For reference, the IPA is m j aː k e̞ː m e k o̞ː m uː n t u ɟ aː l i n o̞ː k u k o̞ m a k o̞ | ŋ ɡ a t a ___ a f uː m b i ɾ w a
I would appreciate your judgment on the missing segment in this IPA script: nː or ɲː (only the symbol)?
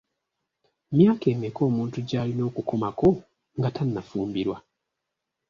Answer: nː